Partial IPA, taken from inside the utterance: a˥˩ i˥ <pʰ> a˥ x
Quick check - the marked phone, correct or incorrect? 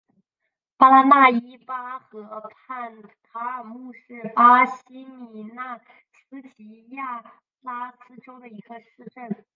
incorrect